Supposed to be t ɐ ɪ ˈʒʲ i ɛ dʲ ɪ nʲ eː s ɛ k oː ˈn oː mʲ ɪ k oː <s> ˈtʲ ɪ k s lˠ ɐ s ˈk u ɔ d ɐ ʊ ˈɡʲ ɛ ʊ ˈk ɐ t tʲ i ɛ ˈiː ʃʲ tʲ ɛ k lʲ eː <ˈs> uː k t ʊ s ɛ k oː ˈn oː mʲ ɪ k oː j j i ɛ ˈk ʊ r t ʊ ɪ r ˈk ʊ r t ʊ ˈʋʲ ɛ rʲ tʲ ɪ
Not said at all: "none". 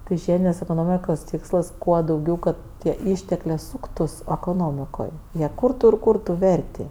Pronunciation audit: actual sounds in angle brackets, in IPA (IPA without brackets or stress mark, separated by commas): s, s